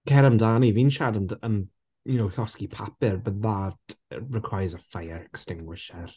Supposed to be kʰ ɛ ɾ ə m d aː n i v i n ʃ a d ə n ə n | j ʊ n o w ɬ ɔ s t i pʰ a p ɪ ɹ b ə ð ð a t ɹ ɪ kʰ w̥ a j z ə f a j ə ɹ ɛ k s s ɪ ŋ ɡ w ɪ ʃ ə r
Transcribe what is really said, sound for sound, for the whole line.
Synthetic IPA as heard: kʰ ɛ ɾ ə m d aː n i v i n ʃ a d ə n ə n | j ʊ n o w ɬ ɔ s k i pʰ a p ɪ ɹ b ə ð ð a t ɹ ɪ kʰ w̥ a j z ə f a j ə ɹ ɛ k s t ɪ ŋ ɡ w ɪ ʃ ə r